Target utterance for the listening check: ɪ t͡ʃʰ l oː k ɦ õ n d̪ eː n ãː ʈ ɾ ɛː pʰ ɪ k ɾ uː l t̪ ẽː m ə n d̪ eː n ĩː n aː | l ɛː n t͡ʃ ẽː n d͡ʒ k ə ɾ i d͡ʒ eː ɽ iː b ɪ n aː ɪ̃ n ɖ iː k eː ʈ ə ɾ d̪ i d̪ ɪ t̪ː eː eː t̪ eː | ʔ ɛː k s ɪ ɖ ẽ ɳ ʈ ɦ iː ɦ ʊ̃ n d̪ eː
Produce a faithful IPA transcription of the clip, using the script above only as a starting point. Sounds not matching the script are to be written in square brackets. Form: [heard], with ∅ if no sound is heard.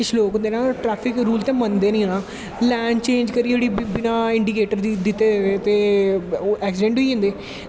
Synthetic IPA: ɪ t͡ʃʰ l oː k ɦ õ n d̪ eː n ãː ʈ ɾ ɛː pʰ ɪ k ɾ uː l t̪ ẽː m ə n d̪ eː n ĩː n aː | l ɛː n t͡ʃ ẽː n d͡ʒ k ə ɾ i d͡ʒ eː ɽ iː b ɪ n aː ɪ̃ [ɳ] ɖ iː k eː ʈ ə ɾ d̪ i d̪ ɪ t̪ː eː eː t̪ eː | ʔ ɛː k s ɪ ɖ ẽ ɳ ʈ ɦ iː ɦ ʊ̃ n d̪ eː